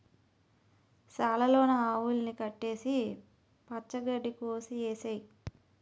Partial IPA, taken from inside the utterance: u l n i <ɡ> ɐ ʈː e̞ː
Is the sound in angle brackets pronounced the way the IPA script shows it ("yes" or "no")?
no